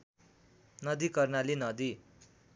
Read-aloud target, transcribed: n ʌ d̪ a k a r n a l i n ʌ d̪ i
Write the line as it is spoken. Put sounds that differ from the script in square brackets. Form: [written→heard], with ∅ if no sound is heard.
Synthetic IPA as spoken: n ʌ d̪ [a→i] k [a→ʌ] r n a l i n ʌ d̪ i